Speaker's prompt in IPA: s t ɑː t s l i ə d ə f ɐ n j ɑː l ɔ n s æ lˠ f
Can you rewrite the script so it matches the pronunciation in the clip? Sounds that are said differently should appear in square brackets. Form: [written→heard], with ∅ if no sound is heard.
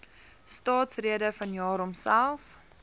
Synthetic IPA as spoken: s t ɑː t s [l→r] i ə d ə f ɐ n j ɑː [l→ɾ] ɔ [n→m] s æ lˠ f